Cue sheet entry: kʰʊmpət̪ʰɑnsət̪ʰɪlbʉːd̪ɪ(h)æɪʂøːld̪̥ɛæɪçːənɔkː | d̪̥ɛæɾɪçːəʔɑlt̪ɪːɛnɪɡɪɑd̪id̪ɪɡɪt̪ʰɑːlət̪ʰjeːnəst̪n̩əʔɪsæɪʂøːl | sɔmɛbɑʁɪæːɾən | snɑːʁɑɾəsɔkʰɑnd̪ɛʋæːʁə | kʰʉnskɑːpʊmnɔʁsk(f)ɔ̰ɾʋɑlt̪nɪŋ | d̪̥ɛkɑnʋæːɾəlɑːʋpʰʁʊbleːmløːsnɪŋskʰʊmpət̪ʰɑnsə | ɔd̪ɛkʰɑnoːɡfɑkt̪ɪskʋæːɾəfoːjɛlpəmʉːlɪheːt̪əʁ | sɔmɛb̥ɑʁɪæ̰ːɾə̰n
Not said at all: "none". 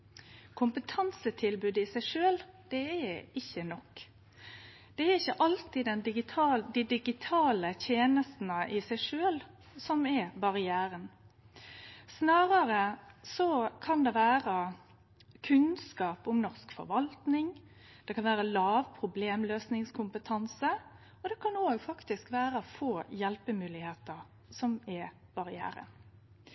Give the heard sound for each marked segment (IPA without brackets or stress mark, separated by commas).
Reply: s, f